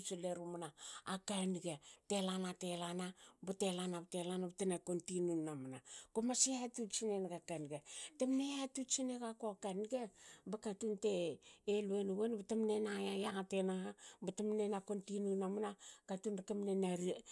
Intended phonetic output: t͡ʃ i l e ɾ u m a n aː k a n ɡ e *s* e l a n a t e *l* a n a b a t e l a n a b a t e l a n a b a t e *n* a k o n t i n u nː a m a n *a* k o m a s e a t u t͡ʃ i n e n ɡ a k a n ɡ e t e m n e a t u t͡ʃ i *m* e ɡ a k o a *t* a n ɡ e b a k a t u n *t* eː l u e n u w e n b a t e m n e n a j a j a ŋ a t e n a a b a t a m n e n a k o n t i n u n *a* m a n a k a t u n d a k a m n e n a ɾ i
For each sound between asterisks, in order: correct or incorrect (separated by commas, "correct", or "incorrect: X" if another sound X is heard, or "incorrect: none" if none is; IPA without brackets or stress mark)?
incorrect: t, correct, correct, correct, incorrect: n, incorrect: k, correct, correct